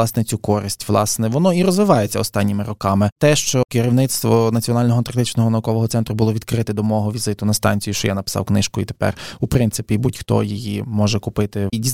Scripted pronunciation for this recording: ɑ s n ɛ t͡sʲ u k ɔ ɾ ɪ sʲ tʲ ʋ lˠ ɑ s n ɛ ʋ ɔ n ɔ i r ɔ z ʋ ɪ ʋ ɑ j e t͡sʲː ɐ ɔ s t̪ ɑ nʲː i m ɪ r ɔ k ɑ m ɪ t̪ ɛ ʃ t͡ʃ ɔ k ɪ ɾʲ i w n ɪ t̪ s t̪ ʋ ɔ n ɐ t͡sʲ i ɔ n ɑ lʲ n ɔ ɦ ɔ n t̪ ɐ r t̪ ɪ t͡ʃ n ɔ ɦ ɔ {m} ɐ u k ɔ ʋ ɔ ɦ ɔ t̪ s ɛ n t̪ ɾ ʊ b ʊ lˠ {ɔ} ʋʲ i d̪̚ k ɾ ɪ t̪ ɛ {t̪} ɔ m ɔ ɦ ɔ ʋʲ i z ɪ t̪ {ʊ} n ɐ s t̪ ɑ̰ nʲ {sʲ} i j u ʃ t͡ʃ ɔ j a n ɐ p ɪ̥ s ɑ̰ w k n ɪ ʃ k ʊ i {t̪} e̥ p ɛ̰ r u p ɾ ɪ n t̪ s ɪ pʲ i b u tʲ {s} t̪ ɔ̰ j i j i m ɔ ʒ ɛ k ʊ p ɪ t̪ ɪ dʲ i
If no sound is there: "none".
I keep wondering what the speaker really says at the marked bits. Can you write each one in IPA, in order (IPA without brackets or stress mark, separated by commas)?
n, ɔ, d̪, ʊ, t͡sʲ, t̪, x